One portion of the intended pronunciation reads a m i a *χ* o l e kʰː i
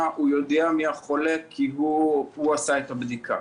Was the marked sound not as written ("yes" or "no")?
no